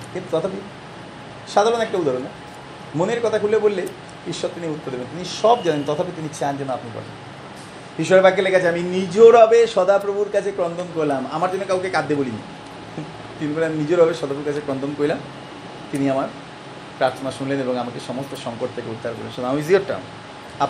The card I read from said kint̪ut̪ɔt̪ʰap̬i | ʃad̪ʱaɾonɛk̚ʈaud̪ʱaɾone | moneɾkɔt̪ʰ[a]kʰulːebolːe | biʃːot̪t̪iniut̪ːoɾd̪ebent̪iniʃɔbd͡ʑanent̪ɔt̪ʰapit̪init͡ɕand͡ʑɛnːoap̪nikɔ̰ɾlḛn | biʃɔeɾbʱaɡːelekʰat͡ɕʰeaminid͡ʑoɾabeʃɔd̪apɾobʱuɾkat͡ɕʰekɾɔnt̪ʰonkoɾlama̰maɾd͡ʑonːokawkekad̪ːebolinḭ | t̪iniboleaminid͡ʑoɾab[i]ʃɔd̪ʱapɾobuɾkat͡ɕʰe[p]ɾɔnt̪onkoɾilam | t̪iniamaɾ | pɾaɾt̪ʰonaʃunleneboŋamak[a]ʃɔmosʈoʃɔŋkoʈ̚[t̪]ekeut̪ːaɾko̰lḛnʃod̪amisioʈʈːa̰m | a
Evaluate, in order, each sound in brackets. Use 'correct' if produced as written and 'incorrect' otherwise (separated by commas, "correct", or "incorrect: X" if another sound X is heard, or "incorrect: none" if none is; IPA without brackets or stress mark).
correct, incorrect: e, incorrect: k, incorrect: e, incorrect: t̪ʰ